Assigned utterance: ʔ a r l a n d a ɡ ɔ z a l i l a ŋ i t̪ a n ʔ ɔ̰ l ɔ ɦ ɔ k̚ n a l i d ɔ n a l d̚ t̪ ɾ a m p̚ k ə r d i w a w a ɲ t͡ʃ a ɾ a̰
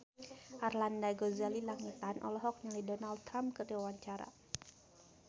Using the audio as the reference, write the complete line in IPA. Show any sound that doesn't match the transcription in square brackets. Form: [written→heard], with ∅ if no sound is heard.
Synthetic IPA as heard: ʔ a r l a n d a ɡ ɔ z a l i l a ŋ i t̪ a n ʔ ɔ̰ l ɔ ɦ ɔ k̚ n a l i d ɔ n a l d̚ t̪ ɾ a m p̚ k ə r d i w a w a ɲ t͡ʃ a ɾ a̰